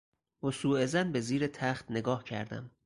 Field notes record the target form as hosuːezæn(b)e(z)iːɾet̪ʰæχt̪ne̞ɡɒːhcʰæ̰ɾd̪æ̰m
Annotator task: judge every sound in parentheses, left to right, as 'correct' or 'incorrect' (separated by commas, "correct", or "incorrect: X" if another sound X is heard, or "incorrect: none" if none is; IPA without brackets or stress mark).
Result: correct, correct